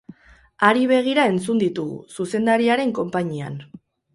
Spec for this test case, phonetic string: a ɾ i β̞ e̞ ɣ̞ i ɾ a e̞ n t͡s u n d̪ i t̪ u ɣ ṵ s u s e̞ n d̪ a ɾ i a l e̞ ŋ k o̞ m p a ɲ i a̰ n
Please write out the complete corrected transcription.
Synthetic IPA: a ɾ i β̞ e̞ ɣ̞ i ɾ a e̞ n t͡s u n d̪ i t̪ u ɣ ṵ s u s e̞ n d̪ a ɾ i a ɾ e̞ ŋ k o̞ m p a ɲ i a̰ n